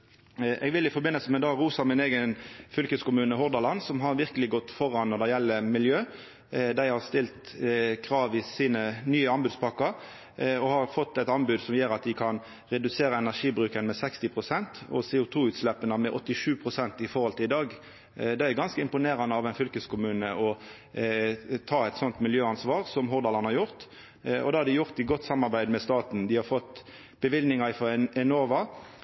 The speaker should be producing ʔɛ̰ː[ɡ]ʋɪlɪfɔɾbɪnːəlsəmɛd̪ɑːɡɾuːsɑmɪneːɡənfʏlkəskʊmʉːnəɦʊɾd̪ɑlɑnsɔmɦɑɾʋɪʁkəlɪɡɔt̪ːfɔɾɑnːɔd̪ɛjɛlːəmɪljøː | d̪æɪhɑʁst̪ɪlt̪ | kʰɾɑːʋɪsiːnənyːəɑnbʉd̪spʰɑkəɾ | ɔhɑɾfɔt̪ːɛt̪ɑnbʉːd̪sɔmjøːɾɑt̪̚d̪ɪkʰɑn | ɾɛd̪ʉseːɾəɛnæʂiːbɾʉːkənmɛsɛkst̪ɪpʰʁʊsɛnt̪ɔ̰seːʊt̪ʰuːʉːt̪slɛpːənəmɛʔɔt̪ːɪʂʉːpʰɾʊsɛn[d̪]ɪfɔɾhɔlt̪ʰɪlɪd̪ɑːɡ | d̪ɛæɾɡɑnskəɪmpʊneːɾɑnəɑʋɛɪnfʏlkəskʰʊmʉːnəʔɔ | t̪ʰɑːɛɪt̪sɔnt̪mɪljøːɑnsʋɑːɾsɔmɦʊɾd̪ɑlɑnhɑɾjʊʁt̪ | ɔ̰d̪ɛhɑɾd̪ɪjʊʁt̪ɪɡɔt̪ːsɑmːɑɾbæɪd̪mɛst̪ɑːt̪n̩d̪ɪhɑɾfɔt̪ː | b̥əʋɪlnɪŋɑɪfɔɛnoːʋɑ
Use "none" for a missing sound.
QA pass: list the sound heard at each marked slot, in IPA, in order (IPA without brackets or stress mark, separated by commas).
ɡ, t̪